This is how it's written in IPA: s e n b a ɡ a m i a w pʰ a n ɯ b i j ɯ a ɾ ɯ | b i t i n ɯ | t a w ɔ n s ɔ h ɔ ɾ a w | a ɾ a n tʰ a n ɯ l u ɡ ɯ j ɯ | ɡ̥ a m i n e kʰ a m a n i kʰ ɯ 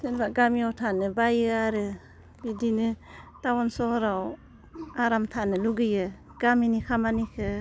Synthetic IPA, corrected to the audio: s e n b a ɡ a m i a w tʰ a n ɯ b a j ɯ a ɾ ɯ | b i d i n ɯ | t a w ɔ n s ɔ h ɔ ɾ a w | a ɾ a m tʰ a n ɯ l u ɡ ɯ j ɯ | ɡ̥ a m i n i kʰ a m a n i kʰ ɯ